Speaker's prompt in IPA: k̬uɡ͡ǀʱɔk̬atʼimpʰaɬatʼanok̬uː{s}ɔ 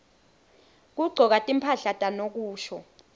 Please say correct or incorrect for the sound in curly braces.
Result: incorrect